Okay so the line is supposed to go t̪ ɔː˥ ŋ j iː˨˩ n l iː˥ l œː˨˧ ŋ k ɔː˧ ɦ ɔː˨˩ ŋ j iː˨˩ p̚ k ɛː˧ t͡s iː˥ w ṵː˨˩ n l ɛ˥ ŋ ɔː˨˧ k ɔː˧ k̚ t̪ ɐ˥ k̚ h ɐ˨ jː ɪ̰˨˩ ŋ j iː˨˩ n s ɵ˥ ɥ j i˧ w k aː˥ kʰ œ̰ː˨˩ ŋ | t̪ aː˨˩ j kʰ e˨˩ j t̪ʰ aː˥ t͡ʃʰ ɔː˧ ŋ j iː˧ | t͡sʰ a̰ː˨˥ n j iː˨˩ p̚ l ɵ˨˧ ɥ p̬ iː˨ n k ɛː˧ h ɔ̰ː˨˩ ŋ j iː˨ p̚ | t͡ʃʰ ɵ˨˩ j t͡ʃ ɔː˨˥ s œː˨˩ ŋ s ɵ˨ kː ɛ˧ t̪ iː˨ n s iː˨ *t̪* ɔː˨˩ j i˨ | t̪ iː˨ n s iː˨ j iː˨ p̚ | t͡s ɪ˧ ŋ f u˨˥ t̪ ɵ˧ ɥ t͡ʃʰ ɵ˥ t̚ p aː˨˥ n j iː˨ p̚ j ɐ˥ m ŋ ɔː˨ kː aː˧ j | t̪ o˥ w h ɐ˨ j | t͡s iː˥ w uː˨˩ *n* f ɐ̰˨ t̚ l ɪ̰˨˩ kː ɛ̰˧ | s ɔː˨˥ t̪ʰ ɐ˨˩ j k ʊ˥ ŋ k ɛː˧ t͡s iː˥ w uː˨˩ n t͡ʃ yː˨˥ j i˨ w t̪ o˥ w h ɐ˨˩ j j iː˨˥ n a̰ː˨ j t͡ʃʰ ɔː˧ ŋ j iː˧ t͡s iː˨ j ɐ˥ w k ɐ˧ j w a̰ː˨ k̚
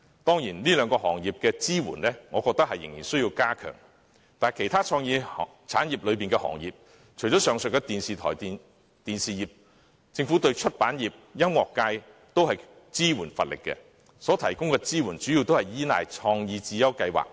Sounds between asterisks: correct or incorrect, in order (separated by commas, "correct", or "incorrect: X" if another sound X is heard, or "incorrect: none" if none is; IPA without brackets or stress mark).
incorrect: t̪ʰ, correct